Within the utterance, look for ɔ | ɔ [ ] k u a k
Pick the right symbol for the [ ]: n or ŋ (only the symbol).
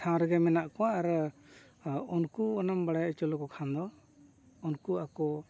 n